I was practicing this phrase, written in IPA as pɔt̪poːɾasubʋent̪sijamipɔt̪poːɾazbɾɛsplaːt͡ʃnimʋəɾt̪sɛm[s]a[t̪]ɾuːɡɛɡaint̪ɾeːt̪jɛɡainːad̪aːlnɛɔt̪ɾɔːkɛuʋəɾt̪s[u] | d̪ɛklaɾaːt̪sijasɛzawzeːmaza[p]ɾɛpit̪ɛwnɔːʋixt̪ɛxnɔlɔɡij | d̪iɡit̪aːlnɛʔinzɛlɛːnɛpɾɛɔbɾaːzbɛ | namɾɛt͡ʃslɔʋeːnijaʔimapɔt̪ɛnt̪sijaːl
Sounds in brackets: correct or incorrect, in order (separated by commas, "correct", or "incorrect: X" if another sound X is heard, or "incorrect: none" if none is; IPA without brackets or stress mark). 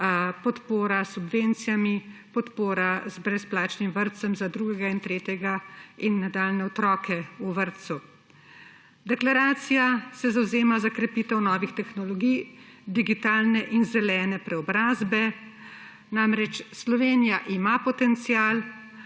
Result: incorrect: z, incorrect: d̪, correct, incorrect: k